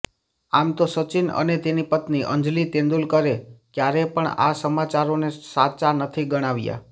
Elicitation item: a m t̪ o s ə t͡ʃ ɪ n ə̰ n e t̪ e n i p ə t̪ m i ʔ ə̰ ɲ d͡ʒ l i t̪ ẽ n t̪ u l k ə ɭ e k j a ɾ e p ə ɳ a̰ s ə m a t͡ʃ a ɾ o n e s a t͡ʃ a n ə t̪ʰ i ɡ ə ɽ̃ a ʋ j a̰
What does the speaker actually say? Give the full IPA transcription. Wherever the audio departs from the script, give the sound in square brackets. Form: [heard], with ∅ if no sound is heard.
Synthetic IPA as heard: a m t̪ o s ə t͡ʃ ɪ n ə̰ n e t̪ e n i p ə t̪ [n] i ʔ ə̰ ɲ d͡ʒ l i t̪ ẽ n [d̪] u l k ə [ɾ] e k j a ɾ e p ə ɳ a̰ s ə m a t͡ʃ a ɾ o n e s a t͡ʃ a n ə t̪ʰ i ɡ ə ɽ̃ a ʋ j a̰